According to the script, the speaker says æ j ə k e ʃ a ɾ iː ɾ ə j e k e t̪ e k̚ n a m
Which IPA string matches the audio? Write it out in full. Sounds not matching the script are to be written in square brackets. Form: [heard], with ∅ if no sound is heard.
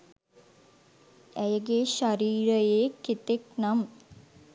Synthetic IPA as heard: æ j ə [ɡ] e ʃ a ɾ iː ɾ ə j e k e t̪ e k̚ n a m